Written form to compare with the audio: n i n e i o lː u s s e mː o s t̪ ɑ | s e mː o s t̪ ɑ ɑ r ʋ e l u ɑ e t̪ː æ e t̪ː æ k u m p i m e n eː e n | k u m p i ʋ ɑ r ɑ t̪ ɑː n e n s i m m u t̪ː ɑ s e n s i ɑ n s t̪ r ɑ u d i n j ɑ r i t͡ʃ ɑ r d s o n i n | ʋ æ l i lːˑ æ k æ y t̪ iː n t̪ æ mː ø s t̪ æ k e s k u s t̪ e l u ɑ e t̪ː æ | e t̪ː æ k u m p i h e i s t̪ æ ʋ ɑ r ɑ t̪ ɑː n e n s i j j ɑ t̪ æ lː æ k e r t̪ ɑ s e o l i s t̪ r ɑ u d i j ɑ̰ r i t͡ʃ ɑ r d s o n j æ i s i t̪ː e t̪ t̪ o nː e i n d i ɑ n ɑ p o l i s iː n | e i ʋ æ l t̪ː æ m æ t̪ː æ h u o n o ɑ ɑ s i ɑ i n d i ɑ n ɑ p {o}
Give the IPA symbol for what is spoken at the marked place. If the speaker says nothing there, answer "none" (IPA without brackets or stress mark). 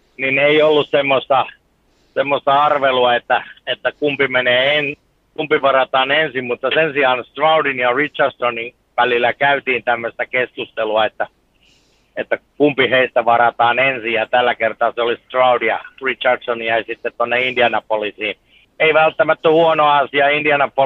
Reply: o